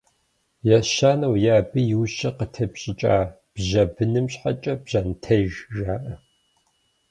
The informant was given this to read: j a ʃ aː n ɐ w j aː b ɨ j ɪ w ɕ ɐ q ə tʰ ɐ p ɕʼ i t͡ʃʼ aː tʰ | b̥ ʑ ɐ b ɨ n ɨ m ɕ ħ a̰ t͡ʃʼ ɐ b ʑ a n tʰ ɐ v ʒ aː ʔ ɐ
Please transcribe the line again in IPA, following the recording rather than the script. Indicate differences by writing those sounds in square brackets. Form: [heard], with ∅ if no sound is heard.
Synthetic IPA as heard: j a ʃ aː n ɐ w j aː b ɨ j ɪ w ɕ ɐ q ə tʰ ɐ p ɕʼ [ɪ] t͡ʃʼ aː [∅] | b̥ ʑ ɐ b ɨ n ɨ m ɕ ħ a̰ t͡ʃʼ ɐ b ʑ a n tʰ ɐ [ʒ] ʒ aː ʔ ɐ